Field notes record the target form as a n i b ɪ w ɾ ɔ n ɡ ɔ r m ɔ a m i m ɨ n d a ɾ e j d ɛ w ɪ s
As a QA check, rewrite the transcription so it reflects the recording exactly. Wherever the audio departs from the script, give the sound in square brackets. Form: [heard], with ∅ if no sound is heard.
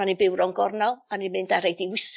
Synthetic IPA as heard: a n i b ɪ w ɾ ɔ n ɡ ɔ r [n] ɔ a [n] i m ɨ n d a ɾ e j d [i] w ɪ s